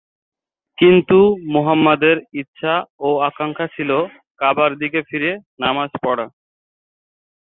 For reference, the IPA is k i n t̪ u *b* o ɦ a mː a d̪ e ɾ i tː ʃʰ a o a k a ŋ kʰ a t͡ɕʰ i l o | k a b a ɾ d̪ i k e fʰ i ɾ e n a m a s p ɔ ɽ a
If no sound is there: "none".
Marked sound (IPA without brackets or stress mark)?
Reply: m